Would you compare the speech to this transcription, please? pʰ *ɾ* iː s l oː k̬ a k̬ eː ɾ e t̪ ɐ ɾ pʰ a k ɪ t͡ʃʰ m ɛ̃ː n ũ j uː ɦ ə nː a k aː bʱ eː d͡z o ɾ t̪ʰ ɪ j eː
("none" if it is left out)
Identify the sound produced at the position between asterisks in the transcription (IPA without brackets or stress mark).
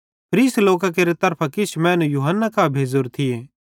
ɾ